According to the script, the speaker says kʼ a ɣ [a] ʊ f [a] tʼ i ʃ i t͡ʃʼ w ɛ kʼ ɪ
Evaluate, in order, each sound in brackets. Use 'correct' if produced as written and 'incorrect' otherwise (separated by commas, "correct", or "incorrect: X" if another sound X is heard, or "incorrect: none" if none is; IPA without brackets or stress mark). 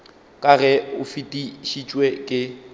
incorrect: ɛ, incorrect: i